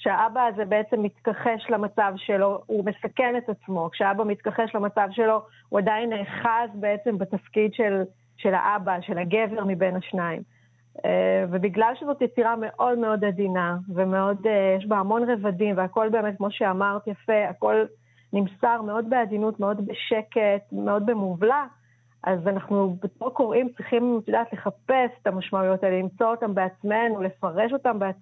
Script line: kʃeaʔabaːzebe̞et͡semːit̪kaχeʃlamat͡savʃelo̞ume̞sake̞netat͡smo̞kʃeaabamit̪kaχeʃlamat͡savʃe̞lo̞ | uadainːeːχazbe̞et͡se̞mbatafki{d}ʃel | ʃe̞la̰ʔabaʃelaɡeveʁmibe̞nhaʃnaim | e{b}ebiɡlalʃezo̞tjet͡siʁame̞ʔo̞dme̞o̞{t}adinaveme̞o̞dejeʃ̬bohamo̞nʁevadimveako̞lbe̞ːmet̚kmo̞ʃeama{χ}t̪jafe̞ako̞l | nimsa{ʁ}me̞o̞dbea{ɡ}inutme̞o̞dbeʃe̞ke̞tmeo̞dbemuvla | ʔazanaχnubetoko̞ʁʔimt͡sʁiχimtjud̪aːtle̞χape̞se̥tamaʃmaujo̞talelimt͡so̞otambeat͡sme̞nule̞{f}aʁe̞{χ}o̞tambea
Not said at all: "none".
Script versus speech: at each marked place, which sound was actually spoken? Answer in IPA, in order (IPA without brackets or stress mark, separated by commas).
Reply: d, v, d, ʁ, ʁ, d, f, ʃ